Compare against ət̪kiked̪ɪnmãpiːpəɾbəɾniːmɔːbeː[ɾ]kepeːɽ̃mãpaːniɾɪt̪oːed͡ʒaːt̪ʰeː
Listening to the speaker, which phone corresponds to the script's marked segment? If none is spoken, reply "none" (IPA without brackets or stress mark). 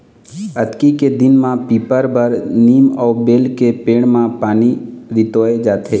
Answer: l